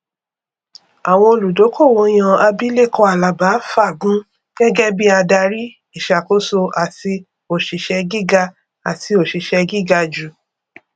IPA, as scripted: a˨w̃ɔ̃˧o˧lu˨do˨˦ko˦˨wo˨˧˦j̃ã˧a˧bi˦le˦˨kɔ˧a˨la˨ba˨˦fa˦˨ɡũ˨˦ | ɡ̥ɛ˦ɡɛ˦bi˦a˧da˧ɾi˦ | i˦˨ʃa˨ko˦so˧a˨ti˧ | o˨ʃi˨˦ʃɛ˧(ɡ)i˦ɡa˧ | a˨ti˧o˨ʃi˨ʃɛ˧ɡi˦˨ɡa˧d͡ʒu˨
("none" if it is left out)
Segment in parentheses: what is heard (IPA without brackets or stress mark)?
ɡ